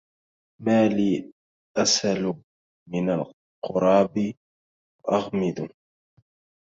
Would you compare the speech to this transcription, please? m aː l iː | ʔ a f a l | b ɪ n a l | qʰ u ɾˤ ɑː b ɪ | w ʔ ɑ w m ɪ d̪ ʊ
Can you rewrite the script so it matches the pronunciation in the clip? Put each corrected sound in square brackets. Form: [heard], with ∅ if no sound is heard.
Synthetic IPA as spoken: m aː l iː | ʔ a [s] a l | [m] ɪ n a l | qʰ [ʊ] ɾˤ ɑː b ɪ | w ʔ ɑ [ɣ] m ɪ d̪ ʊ